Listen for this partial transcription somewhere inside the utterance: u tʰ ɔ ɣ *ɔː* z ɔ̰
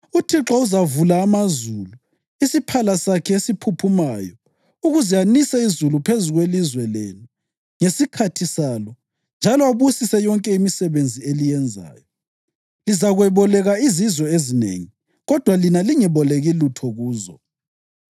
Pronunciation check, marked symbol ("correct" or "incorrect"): incorrect